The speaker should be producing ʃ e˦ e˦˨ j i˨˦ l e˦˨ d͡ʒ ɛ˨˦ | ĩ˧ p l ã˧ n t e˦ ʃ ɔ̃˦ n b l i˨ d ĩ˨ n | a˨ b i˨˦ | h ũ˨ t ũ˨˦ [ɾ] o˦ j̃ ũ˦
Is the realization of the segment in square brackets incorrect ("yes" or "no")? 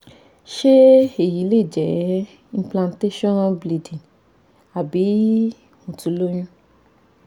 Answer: yes